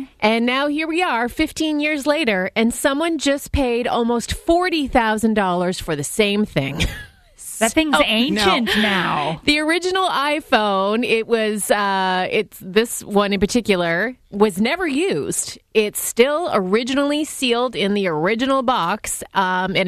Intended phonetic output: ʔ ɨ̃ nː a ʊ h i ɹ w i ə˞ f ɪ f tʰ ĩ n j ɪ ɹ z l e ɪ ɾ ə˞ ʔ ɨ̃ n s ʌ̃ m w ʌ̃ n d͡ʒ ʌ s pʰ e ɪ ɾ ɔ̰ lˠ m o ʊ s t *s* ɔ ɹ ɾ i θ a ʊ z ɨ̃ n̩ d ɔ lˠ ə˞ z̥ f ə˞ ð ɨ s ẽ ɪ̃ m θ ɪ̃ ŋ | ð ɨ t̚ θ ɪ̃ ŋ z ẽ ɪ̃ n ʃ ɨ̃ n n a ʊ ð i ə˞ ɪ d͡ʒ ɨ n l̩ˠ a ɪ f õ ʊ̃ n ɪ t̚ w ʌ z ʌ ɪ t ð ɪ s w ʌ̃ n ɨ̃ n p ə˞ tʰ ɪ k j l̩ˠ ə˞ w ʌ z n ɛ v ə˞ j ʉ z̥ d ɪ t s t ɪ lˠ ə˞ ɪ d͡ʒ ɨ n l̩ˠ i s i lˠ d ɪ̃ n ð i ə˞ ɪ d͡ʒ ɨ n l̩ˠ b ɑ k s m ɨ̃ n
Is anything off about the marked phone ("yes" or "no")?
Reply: yes